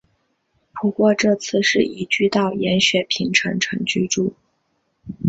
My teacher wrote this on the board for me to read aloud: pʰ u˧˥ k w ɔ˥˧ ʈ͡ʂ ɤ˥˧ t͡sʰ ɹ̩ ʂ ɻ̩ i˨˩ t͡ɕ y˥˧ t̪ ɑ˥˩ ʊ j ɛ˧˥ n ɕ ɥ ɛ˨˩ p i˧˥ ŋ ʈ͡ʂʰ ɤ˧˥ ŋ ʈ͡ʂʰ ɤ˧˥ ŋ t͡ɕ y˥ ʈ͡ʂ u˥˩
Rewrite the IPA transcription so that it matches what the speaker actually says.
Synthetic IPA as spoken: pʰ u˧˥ k w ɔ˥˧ ʈ͡ʂ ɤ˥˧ t͡sʰ ɹ̩ ʂ ɻ̩ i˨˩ t͡ɕ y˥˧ t̪ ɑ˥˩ ʊ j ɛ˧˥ n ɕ ɥ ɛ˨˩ pʰ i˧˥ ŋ ʈ͡ʂʰ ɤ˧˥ ŋ ʈ͡ʂʰ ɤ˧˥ ŋ t͡ɕ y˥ ʈ͡ʂ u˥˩

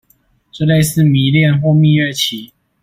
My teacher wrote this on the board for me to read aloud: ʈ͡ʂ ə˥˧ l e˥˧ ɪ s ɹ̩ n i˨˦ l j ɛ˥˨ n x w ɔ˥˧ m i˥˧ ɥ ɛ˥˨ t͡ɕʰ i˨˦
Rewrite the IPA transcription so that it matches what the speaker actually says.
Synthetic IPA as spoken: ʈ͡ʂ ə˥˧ l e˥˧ ɪ s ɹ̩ m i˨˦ l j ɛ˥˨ n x w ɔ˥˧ m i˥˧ ɥ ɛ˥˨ t͡ɕʰ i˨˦

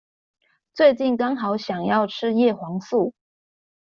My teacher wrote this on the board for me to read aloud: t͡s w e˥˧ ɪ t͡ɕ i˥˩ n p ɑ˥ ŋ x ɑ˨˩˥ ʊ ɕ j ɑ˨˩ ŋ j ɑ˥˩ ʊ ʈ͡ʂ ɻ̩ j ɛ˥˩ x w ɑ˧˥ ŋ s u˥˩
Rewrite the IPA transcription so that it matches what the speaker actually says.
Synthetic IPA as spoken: t͡s w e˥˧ ɪ t͡ɕ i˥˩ n k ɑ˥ ŋ x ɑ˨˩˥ ʊ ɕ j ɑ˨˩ ŋ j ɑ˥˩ ʊ ʈ͡ʂʰ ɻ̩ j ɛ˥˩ x w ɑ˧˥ ŋ s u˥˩

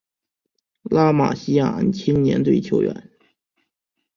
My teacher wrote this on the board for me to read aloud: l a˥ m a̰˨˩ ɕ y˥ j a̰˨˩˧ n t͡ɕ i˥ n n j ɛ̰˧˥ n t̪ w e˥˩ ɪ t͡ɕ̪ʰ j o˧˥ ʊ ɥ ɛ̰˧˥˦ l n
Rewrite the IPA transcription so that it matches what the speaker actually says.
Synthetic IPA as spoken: l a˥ m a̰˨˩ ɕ i˥ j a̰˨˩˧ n t͡ɕʰ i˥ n n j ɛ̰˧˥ n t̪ w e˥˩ ɪ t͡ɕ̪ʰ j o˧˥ ʊ ɥ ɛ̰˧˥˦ n

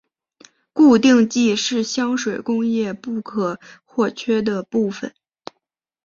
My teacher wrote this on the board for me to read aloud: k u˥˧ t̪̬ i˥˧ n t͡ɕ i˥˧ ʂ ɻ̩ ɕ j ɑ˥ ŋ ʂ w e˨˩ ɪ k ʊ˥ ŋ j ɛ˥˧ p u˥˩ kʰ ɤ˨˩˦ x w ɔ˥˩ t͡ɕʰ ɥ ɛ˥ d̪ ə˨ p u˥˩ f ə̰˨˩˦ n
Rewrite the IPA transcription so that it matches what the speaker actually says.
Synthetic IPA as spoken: k u˥˧ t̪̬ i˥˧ ŋ t͡ɕ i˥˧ ʂ ɻ̩ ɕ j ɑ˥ ŋ ʂ w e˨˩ ɪ k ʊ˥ ŋ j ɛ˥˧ p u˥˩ kʰ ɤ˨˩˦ x w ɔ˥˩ t͡ɕʰ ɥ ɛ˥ d̪ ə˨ p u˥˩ f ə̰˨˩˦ n

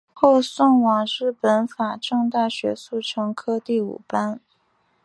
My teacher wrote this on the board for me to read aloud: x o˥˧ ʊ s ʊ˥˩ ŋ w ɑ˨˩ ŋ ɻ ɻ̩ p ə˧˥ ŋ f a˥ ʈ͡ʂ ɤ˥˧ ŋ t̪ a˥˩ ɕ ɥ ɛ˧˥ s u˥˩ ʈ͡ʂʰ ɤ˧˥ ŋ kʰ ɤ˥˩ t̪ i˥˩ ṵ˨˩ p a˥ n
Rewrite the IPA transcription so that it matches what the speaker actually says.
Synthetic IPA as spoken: x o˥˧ ʊ s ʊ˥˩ ŋ w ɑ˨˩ ŋ ɻ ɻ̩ p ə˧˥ n f a˨˩ ʈ͡ʂ ɤ˥˧ ŋ t̪ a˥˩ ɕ ɥ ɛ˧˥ s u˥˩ ʈ͡ʂʰ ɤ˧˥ ŋ kʰ ɤ˥ t̪ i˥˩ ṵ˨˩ p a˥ n

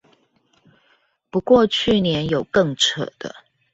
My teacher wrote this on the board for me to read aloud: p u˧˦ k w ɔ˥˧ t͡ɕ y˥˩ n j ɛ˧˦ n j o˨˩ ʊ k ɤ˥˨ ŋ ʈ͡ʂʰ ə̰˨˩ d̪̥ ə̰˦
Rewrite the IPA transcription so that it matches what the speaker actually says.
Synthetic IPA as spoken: p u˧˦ k w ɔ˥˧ t͡ɕʰ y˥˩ n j ɛ˧˦ n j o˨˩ ʊ k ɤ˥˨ ŋ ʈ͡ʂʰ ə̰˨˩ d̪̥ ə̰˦

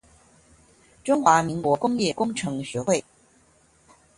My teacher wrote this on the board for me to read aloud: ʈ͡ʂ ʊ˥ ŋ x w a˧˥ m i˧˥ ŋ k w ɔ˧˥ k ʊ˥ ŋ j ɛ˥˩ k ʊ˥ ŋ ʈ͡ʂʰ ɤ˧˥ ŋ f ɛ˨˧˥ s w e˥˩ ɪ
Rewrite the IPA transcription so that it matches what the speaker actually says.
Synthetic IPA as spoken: ʈ͡ʂ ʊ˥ ŋ x w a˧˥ m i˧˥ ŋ k w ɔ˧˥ k ʊ˥ ŋ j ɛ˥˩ k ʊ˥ ŋ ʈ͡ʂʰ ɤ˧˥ ŋ ɕ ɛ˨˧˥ x w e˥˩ ɪ

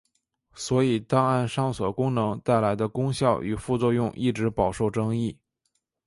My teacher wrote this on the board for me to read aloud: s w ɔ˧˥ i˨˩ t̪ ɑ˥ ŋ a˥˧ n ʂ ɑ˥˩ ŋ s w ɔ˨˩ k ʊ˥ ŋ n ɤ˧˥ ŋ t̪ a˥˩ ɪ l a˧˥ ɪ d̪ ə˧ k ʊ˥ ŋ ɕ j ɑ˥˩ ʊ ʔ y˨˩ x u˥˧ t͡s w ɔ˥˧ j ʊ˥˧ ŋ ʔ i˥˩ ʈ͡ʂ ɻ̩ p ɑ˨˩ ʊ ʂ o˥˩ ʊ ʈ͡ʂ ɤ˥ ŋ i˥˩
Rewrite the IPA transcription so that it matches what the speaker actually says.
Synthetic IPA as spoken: s w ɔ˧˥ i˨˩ t̪ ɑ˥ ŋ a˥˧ n ʂ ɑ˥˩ ŋ s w ɔ˨˩ k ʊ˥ ŋ n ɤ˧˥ ŋ t̪ a˥˩ ɪ l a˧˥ ɪ d̪ ə˧ k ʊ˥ ŋ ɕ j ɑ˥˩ ʊ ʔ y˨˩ f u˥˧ t͡s w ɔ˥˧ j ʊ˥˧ ŋ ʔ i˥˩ ʈ͡ʂ ɻ̩ p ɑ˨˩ ʊ ʂ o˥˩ ʊ ʈ͡ʂ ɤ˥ ŋ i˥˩

